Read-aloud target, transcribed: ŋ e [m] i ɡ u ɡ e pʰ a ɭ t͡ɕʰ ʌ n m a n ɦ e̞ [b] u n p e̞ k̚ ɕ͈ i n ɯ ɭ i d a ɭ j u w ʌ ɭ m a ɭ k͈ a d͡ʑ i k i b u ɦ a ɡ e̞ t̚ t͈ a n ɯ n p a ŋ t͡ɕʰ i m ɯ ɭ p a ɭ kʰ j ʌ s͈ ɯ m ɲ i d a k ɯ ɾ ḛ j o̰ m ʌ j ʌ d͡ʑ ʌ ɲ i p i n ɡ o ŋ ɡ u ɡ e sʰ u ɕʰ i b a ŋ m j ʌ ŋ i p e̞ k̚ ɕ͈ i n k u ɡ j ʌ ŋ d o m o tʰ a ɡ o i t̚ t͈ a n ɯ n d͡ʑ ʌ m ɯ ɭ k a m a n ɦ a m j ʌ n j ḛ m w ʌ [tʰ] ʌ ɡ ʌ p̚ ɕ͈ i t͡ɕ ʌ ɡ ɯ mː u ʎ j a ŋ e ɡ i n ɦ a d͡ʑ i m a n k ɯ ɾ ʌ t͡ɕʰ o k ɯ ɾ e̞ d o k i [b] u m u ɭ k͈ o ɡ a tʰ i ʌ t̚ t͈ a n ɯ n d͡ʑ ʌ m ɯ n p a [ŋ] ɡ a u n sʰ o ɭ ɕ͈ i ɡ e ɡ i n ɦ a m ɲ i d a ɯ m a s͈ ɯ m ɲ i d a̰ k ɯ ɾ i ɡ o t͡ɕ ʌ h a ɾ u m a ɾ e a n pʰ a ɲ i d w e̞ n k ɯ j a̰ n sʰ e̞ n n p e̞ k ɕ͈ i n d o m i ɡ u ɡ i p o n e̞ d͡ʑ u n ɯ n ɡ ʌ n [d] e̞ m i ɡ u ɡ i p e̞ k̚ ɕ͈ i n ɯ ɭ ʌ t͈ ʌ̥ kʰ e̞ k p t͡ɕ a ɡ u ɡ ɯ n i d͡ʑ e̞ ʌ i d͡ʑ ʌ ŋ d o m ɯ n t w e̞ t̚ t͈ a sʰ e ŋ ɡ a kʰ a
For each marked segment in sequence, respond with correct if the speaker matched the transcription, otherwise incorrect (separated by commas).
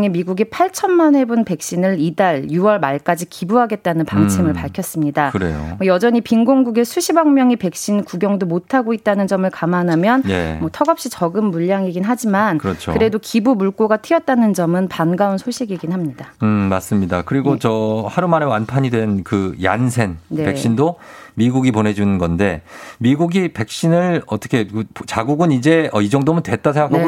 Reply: correct, correct, correct, correct, incorrect, correct